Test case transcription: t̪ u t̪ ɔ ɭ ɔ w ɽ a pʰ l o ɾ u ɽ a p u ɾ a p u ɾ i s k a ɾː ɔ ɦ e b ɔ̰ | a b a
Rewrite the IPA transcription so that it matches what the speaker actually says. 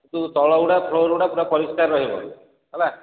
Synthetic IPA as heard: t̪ u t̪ ɔ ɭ ɔ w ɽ a pʰ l o ɾ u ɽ a p u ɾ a p ɔ ɾ i s k a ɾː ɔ ɦ i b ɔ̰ | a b a